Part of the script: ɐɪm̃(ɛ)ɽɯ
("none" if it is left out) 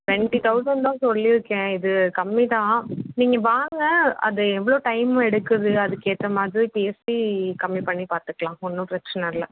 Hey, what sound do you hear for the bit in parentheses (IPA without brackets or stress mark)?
ɛ